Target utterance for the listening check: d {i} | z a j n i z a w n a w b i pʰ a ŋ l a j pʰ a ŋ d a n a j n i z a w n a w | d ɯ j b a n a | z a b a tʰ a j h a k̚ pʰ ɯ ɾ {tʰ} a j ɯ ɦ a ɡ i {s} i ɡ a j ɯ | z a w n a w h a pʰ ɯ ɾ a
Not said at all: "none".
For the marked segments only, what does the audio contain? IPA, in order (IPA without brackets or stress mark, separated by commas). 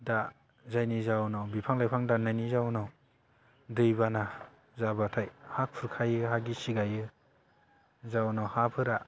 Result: a, kʰ, s